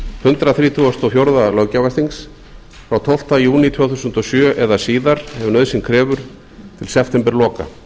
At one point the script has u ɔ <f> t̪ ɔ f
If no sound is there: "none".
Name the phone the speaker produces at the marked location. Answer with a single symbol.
s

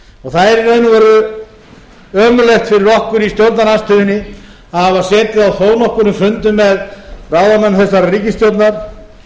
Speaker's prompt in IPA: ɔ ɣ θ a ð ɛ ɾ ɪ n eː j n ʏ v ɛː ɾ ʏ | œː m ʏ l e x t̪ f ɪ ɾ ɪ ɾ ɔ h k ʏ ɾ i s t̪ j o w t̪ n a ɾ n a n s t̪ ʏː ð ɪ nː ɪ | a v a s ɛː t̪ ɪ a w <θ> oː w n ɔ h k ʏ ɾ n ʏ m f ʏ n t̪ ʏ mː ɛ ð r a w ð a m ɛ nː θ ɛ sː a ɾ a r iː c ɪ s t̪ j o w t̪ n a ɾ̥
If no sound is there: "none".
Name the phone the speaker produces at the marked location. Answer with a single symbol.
θ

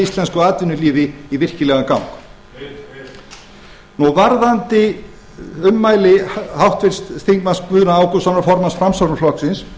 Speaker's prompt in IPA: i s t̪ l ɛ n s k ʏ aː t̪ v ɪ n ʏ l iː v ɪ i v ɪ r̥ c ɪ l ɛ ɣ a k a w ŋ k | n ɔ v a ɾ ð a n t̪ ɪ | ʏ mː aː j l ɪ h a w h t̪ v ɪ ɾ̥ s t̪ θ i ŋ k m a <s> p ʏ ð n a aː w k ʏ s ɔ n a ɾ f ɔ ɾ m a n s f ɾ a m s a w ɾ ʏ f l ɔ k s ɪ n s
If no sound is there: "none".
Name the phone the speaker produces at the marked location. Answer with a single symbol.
s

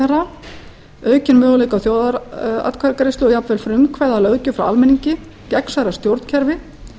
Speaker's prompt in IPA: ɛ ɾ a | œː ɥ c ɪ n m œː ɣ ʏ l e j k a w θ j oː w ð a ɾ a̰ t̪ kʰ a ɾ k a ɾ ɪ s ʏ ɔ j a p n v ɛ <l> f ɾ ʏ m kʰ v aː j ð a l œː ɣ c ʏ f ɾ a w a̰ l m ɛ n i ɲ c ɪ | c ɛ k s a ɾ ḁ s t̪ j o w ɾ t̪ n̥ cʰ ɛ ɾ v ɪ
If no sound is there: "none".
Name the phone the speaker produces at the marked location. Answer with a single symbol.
l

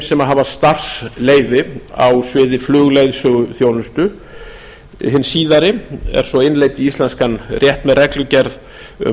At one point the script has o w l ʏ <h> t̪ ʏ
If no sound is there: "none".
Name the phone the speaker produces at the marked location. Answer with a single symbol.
s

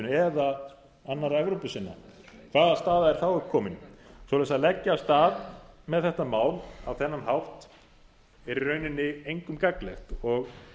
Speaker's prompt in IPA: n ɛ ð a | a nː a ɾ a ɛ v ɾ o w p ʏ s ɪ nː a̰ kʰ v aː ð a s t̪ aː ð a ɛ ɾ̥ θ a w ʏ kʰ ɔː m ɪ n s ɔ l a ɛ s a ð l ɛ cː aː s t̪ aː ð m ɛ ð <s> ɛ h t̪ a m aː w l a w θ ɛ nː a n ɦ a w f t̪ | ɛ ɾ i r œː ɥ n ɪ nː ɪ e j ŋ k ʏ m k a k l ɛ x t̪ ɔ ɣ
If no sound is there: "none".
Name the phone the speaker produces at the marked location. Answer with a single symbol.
θ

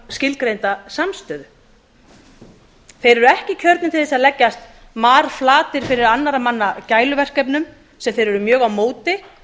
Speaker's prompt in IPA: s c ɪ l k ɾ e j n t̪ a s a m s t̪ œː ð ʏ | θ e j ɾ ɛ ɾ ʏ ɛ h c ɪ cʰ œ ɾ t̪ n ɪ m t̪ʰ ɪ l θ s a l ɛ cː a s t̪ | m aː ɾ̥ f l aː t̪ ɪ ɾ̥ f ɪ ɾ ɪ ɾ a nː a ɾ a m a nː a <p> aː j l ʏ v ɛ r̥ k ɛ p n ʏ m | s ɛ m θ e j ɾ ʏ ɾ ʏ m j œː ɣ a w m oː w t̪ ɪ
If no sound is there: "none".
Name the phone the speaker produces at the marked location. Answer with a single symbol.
c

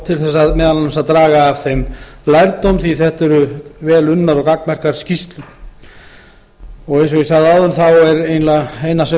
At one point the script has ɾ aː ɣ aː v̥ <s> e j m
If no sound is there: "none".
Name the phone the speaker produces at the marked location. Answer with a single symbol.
θ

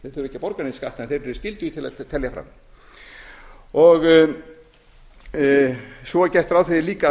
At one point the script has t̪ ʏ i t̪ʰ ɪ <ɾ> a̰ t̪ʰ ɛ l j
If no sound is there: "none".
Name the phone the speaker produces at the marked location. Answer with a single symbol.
l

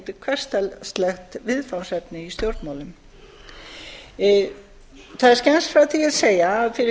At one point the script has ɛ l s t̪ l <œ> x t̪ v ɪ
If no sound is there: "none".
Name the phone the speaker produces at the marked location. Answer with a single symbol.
ɛ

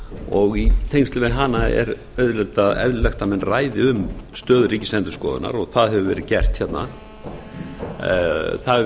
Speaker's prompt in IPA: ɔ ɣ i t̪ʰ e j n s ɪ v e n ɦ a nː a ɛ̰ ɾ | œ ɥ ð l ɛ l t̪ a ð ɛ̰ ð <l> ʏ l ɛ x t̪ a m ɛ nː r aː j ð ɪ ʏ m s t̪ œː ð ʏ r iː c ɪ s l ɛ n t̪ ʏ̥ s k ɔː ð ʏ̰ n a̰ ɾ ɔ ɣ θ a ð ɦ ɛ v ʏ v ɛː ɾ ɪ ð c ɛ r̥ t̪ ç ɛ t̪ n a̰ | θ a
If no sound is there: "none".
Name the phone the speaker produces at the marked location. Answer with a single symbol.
l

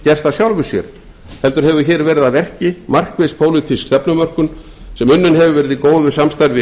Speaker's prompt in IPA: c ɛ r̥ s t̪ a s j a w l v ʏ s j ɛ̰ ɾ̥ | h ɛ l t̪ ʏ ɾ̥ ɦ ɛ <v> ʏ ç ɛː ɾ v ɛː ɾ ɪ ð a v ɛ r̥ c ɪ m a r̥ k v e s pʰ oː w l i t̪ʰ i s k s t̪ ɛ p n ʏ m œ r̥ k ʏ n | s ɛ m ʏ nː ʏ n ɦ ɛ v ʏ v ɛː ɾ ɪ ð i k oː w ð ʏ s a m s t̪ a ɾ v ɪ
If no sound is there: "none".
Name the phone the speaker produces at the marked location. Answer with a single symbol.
v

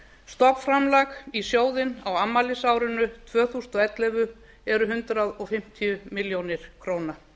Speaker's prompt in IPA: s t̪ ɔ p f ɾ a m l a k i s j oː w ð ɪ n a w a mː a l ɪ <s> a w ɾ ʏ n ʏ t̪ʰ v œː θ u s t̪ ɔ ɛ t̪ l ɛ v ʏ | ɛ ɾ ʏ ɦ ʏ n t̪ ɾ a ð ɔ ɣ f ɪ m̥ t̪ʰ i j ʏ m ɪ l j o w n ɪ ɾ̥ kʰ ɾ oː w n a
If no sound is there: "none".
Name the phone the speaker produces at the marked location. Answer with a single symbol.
s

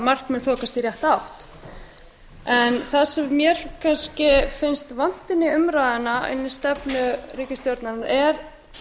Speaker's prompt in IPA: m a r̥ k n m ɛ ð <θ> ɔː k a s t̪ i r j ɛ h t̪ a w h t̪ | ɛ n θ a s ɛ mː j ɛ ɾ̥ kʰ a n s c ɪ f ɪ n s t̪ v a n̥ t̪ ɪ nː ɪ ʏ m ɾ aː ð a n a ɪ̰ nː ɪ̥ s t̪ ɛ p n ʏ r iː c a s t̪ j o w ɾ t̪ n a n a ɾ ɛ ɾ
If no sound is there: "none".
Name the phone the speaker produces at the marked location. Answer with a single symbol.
θ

